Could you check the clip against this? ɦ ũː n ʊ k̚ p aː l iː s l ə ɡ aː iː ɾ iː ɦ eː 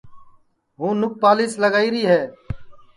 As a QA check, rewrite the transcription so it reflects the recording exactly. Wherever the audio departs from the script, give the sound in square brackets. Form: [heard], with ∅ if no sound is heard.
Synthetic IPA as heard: ɦ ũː n ʊ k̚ p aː l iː s l ə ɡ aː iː ɾ iː ɦ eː